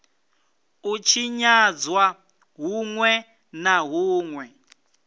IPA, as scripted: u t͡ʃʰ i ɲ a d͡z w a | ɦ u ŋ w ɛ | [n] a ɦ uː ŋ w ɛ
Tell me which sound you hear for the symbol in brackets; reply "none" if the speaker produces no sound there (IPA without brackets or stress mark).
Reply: n